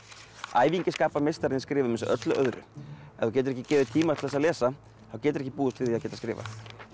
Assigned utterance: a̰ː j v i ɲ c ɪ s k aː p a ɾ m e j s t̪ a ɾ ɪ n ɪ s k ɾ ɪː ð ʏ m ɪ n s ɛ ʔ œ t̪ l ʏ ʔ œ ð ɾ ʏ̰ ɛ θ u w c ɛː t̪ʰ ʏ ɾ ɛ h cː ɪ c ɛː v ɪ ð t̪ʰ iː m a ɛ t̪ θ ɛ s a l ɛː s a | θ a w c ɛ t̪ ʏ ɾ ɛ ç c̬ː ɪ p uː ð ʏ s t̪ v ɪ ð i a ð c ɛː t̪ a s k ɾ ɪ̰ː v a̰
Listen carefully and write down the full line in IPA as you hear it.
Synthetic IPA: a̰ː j v i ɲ c ɪ s k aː p a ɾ m e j s t̪ a ɾ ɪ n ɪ s k ɾ ɪː v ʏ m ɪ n s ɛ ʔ œ t̪ l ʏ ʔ œ ð ɾ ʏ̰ ɛ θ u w c ɛː t̪ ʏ ɾ ɛ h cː ɪ c ɛː v ɪ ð t̪ʰ iː m a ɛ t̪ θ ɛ s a l ɛː s a | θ a w c ɛː t̪ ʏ ɾ ɛ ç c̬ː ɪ p uː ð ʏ s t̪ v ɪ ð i a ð c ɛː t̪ a s k ɾ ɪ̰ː v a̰